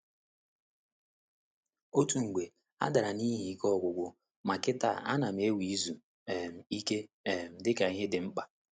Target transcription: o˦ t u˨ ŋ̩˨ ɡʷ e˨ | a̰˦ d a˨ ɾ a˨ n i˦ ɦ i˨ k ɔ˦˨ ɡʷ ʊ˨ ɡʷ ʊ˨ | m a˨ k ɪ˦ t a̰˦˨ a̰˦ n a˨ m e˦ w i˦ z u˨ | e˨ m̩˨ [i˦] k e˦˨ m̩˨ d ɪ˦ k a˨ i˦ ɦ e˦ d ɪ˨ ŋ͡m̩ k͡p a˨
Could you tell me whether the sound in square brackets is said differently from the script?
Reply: no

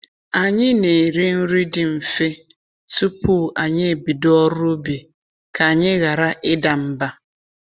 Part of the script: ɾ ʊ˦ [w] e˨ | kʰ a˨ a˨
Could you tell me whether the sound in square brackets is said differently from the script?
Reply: yes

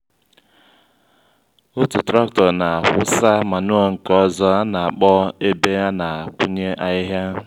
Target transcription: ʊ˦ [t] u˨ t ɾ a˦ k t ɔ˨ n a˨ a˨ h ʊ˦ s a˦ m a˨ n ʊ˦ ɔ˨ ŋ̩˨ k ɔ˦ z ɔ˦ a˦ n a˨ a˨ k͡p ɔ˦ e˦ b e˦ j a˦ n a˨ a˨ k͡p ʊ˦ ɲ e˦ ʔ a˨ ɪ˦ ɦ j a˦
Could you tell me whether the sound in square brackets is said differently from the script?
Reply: no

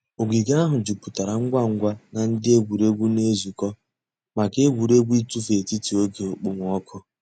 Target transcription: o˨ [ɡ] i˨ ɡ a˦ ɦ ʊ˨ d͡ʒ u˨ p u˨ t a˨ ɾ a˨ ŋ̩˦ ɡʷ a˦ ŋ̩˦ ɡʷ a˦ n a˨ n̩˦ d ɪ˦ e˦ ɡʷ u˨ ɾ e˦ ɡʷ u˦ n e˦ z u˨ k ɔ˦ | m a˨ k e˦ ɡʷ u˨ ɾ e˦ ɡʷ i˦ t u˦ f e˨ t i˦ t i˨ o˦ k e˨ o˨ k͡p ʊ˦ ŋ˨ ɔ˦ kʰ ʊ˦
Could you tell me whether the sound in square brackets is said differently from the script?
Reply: no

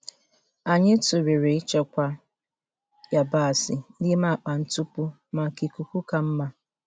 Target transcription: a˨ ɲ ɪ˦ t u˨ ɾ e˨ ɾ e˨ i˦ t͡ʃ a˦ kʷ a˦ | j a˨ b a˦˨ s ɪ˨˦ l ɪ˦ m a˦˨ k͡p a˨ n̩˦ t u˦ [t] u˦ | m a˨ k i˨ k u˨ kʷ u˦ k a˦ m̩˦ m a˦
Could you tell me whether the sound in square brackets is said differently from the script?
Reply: yes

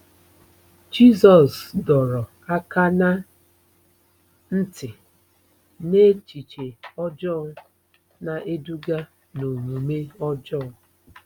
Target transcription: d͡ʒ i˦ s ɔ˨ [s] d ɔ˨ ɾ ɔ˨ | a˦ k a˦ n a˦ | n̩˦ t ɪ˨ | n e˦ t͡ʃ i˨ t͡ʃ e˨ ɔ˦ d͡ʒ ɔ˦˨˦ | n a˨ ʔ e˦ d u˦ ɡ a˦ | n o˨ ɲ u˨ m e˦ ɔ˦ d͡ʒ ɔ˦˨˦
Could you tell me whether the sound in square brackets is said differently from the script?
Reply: no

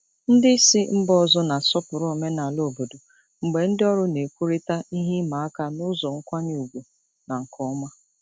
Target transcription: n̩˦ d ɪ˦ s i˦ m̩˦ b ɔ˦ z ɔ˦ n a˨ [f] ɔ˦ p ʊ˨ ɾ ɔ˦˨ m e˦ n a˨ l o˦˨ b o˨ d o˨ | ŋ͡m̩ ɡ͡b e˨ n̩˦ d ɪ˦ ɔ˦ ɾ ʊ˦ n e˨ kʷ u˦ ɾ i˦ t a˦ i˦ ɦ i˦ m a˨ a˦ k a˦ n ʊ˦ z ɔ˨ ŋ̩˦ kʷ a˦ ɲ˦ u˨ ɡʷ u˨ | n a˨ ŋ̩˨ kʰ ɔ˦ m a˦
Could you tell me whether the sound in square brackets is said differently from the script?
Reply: yes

